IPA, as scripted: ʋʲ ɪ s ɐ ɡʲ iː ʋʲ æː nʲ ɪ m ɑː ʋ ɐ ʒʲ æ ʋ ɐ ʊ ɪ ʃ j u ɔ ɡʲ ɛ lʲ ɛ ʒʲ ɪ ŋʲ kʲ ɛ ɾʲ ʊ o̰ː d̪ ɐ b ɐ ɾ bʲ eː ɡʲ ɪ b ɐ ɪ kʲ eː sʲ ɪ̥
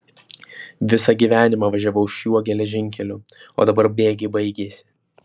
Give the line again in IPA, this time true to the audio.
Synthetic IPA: ʋʲ ɪ s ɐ ɡʲ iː ʋʲ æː nʲ ɪ m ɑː ʋ ɐ ʒʲ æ ʋ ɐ ʊ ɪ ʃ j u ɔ ɡʲ ɛ lʲ ɛ ʒʲ ɪ ŋʲ kʲ ɛ lʲ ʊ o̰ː d̪ ɐ b ɐ ɾ bʲ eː ɡʲ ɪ b ɐ ɪ ɡʲ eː sʲ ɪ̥